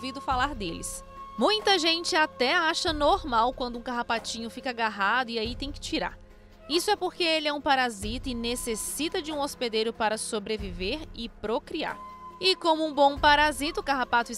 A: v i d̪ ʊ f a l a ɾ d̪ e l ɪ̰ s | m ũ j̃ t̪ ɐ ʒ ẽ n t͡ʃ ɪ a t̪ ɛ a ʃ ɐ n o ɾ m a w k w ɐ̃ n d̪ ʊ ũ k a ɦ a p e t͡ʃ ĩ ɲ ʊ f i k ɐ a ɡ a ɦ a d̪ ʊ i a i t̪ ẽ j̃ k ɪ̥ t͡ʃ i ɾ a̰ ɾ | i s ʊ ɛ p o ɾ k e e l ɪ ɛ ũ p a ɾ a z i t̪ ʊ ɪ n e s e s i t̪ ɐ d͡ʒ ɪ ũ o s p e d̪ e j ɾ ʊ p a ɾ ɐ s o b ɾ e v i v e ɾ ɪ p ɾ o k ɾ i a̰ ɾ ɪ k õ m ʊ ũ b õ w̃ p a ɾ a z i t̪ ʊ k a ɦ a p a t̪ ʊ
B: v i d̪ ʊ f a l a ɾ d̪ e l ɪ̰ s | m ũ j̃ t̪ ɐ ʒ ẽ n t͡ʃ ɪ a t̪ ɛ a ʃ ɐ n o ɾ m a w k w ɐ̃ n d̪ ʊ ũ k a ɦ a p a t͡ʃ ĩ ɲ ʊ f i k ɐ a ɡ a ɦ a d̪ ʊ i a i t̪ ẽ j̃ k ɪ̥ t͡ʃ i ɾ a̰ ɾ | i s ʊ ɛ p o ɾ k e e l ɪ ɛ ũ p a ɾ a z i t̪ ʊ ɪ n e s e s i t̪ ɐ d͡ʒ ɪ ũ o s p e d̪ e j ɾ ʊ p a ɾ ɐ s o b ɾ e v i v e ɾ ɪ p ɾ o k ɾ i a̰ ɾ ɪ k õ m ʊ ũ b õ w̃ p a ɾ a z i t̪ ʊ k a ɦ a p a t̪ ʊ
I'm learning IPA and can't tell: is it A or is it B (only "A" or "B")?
B